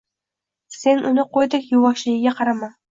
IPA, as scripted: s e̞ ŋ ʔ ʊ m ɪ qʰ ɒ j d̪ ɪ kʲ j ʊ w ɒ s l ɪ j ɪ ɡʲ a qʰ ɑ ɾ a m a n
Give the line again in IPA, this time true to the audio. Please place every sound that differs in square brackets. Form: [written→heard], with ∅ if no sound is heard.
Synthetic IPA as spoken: s e̞ [ŋ→n] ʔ ʊ [m→n] ɪ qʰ [ɒ→o] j d̪ ɪ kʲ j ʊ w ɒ [s→ʃ] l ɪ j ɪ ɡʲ a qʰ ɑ ɾ a m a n